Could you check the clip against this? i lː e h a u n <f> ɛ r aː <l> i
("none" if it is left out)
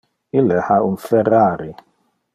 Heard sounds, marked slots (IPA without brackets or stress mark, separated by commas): f, ɾ